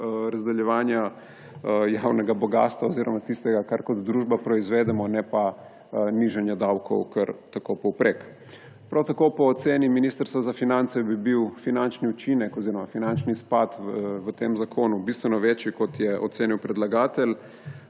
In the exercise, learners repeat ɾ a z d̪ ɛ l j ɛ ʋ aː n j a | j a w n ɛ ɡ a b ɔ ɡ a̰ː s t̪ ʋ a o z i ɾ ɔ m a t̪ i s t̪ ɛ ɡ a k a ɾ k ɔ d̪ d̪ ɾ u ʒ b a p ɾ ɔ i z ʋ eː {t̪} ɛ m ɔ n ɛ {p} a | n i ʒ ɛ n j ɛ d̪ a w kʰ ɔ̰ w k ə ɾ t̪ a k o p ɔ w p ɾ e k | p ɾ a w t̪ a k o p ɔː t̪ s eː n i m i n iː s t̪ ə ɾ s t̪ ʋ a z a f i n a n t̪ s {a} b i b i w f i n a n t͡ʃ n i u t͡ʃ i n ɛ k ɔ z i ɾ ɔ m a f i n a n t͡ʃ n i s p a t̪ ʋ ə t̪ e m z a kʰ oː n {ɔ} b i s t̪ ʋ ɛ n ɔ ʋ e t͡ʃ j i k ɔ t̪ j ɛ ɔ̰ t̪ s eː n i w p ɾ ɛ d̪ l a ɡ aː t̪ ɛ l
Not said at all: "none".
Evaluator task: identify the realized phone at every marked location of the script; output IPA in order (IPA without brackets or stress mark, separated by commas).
d̪, p, ɛ, u